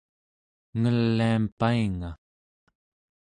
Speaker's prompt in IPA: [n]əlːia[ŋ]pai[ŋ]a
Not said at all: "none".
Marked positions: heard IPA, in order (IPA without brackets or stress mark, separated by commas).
ŋ, m, ŋ